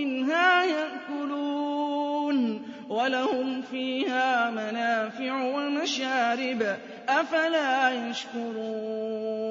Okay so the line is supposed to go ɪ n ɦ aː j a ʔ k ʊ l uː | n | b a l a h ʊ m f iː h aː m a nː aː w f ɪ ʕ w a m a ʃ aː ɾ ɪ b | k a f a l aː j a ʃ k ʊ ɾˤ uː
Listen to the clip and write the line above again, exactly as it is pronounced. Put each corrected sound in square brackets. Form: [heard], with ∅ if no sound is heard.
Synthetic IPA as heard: ɪ n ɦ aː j a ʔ k ʊ l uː | n | [w] a l a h ʊ m f iː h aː m a [n] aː [∅] f ɪ ʕ w a m a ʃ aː ɾ ɪ b | [ʔ] a f a l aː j a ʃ k ʊ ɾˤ uː